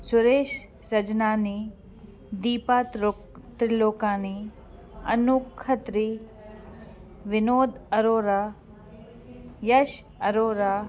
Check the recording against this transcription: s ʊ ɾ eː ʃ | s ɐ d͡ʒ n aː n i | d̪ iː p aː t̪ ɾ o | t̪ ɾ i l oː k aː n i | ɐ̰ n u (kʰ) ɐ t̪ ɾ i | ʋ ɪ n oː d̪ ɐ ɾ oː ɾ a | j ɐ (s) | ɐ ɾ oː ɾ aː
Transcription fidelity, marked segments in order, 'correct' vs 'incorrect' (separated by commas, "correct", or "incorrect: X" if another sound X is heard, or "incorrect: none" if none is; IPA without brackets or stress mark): correct, incorrect: ʃ